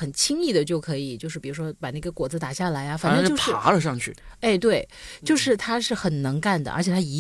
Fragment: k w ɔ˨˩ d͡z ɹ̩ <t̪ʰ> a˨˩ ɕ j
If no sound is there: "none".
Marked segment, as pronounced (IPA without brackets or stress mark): t̪